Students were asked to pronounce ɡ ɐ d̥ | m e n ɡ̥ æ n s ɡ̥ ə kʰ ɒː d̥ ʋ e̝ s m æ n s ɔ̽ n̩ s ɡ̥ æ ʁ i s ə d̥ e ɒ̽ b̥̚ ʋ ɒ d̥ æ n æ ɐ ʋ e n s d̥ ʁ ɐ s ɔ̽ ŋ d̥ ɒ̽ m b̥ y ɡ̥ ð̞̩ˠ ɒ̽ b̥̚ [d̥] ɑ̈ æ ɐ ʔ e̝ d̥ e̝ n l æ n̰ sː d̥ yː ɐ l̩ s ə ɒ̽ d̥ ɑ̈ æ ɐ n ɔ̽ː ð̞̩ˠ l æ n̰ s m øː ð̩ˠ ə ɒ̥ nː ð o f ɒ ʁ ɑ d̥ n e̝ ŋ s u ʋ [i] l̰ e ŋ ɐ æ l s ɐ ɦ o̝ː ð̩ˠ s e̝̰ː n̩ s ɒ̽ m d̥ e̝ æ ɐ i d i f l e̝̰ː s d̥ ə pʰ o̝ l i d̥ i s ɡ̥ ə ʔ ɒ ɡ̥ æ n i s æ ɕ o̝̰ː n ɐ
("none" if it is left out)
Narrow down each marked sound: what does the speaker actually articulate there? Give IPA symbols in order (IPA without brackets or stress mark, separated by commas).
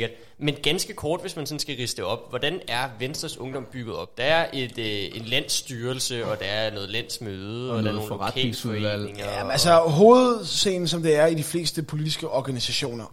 d̥, æ